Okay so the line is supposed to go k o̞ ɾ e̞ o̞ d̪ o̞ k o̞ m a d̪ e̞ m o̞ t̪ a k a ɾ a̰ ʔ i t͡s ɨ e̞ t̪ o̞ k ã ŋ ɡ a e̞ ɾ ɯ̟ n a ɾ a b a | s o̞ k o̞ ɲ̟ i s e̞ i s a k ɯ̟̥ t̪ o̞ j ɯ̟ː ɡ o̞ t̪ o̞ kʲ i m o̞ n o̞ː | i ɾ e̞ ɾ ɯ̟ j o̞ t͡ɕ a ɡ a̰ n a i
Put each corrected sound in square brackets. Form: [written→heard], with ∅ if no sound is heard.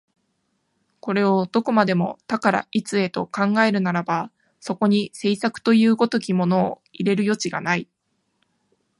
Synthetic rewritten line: k o̞ ɾ e̞ o̞ d̪ o̞ k o̞ m a d̪ e̞ m o̞ t̪ a k a ɾ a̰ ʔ i t͡s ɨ e̞ t̪ o̞ k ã ŋ ɡ a e̞ ɾ ɯ̟ n a ɾ a b a | s o̞ k o̞ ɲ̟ i s e̞ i s a k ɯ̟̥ t̪ o̞ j ɯ̟ː ɡ o̞ t̪ o̞ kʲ i m o̞ n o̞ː | i ɾ e̞ ɾ ɯ̟ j o̞ t͡ɕ [a→i] ɡ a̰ n a i